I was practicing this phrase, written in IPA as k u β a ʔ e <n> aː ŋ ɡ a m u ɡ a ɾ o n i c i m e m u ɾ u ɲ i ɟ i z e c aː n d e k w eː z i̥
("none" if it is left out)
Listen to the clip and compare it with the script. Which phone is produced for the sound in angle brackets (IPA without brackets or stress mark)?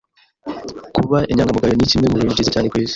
ɲ